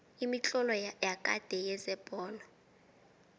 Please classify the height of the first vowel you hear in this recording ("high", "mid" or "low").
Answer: high